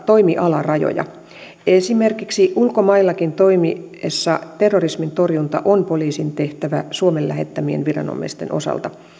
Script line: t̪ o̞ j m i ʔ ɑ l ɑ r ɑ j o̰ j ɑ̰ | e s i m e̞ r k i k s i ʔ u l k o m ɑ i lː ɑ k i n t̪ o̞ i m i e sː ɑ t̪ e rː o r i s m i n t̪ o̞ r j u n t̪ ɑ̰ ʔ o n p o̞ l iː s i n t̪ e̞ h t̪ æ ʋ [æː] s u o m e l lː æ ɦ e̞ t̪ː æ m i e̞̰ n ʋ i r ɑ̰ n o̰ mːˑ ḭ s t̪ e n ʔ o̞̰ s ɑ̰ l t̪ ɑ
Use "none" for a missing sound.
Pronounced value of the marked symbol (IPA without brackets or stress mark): æ